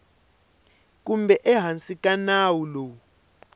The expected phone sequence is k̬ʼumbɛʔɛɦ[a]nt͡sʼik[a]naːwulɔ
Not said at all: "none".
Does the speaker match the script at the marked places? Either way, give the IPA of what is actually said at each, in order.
a, a

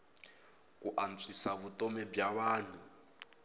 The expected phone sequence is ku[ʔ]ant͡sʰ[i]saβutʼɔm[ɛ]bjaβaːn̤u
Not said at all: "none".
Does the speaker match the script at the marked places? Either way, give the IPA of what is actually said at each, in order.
ʔ, i, ɛ

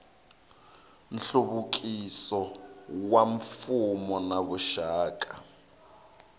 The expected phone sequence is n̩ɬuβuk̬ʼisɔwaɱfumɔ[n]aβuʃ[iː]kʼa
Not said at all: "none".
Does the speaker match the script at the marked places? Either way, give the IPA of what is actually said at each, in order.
n, aː

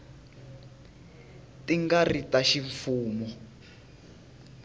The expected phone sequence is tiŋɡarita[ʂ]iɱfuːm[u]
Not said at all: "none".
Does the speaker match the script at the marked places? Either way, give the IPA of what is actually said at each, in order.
ʃ, ɔ

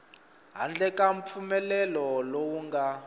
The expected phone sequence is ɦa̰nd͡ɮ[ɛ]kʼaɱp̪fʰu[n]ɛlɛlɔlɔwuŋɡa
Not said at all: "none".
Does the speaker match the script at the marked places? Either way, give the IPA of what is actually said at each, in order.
ɛ, m

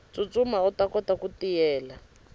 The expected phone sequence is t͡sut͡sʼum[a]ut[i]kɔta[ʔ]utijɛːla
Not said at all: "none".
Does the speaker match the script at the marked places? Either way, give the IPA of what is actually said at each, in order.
a, a, k

